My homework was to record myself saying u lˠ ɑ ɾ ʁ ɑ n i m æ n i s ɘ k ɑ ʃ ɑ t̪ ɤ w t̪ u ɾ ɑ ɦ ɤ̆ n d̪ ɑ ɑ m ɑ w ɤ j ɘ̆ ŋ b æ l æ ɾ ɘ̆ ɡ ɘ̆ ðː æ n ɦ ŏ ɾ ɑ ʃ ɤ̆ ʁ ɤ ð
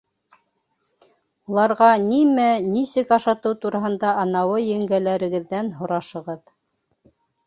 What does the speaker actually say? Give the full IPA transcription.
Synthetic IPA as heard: u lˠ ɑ ɾ ʁ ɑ n i m æ n i s ɘ k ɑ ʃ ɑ t̪ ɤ w t̪ u ɾ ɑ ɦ ɤ̆ n d̪ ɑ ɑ n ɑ w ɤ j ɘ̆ ŋ ɡ æ l æ ɾ ɘ̆ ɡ ɘ̆ ðː æ n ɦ ŏ ɾ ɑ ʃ ɤ̆ ʁ ɤ ð